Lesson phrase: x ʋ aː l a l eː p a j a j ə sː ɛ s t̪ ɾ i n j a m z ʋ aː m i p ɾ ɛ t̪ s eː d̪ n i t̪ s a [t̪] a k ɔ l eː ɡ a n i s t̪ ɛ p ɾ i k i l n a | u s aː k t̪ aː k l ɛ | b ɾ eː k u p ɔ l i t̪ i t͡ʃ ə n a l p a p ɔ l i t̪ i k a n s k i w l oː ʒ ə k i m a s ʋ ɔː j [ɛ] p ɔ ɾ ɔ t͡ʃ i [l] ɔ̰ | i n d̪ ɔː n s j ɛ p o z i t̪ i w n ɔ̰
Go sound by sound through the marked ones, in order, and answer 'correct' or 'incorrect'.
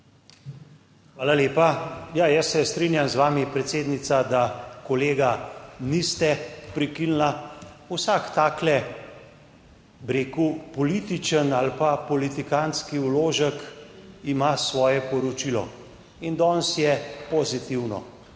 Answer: incorrect, correct, correct

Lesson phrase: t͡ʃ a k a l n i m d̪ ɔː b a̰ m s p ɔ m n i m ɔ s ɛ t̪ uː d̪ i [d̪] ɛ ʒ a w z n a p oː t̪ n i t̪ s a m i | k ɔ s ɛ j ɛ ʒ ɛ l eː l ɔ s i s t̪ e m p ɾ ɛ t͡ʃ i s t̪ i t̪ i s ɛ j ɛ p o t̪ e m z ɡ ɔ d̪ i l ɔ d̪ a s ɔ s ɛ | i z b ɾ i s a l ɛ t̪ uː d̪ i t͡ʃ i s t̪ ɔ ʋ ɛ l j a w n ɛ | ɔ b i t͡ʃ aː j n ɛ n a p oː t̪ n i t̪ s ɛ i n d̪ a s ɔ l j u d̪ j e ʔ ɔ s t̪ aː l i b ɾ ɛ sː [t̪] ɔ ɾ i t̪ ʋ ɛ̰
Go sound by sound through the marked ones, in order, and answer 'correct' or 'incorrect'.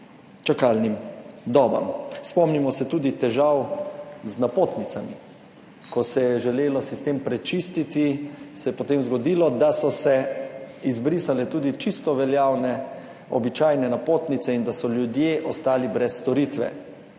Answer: incorrect, correct

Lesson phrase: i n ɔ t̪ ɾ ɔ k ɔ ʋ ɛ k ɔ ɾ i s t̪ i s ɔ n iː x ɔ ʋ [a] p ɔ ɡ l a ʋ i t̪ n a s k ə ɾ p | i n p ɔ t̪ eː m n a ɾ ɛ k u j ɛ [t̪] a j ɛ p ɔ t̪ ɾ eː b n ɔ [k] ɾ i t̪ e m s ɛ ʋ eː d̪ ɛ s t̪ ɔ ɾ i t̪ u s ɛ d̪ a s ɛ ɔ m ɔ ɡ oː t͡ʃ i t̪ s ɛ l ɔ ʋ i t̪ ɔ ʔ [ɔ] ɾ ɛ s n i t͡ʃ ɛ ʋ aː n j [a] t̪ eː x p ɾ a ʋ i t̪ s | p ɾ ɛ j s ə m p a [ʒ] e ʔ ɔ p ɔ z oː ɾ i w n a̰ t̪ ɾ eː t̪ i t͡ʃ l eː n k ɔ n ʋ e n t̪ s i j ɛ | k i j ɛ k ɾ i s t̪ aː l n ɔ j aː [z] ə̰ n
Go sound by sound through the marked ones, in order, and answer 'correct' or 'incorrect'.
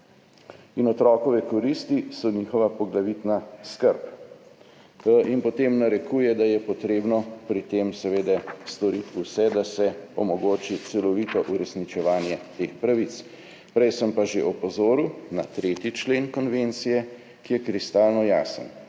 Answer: correct, incorrect, incorrect, incorrect, incorrect, correct, incorrect

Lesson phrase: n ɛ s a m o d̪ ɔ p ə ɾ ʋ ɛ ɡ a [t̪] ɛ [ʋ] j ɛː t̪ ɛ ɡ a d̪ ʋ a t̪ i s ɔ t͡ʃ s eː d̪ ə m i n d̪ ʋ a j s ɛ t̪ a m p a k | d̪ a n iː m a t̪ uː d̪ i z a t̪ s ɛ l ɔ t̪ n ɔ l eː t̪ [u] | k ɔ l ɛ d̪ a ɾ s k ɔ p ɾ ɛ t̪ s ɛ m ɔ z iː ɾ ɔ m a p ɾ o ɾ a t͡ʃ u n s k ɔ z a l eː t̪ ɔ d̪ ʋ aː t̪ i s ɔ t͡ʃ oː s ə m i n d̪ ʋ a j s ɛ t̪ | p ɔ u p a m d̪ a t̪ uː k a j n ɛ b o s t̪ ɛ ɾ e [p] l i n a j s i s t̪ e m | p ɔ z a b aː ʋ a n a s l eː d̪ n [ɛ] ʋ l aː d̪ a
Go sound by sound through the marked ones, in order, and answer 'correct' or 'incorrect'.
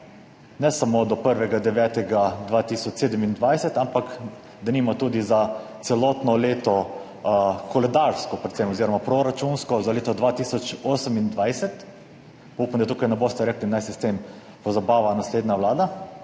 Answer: incorrect, correct, incorrect, incorrect, incorrect

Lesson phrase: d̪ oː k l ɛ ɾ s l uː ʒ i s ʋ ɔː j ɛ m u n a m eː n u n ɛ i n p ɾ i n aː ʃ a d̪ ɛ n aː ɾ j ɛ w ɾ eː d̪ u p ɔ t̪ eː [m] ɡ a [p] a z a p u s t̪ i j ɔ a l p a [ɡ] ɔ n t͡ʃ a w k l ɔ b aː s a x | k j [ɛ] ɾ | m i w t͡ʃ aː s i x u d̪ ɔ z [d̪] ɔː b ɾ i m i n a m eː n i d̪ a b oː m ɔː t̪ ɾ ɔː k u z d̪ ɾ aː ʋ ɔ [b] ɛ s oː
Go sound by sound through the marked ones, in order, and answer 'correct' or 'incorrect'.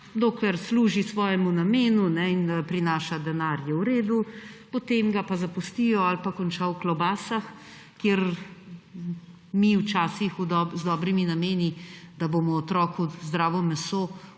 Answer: correct, correct, incorrect, incorrect, correct, incorrect

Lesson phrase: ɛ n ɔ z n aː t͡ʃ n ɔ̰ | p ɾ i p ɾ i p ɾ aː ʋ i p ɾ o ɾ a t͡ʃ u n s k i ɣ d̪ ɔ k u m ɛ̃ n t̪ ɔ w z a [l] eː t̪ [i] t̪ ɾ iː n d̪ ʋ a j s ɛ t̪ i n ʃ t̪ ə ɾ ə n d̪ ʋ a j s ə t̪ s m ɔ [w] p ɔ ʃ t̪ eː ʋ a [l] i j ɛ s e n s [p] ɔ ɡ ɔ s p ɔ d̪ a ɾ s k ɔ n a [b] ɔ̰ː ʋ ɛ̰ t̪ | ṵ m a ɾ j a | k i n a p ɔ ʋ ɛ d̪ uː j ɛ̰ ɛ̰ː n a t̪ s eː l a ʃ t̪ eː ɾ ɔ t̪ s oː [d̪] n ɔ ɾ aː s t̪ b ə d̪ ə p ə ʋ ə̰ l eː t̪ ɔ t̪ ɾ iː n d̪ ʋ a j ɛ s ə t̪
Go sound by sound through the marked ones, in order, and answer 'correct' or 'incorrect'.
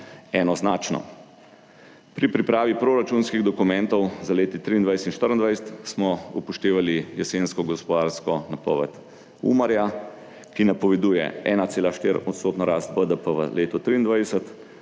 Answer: correct, correct, incorrect, correct, incorrect, incorrect, incorrect

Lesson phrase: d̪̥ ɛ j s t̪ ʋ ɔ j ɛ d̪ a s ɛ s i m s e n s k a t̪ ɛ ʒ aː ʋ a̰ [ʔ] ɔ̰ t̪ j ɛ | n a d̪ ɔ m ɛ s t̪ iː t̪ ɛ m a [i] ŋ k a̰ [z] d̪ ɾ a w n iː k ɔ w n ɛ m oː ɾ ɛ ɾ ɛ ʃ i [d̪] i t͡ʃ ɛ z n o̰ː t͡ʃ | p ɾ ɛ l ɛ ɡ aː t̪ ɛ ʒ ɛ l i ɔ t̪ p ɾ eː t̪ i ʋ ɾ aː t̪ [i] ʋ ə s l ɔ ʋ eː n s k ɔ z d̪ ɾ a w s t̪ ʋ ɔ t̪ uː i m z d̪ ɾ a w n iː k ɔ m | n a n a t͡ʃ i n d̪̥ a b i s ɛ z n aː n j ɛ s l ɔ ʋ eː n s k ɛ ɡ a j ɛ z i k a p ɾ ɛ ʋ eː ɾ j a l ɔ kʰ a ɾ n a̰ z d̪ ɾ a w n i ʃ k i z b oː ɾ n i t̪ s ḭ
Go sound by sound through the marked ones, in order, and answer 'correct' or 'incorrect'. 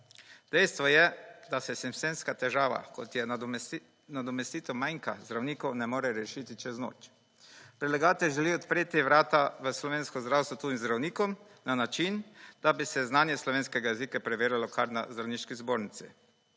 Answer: incorrect, incorrect, correct, incorrect, incorrect

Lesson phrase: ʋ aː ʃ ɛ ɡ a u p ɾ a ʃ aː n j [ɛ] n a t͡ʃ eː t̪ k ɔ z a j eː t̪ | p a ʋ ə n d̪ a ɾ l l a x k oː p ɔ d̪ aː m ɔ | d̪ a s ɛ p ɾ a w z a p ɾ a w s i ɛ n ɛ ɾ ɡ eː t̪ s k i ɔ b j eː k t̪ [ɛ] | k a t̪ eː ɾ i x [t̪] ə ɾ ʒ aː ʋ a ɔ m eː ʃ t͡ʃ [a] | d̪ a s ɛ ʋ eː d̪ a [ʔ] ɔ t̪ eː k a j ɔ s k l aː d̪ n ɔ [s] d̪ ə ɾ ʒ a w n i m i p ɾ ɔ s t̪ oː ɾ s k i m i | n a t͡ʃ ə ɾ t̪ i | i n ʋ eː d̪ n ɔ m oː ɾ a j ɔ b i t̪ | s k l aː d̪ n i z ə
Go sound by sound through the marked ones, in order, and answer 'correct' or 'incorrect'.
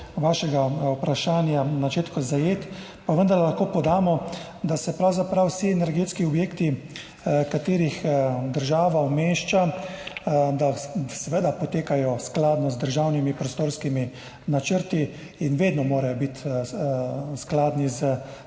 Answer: incorrect, incorrect, incorrect, correct, incorrect, incorrect

